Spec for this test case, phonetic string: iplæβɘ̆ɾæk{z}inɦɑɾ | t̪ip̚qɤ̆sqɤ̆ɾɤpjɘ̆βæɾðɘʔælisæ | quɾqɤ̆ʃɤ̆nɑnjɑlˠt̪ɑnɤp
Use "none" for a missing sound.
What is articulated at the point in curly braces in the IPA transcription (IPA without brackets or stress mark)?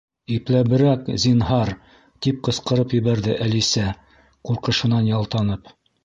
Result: z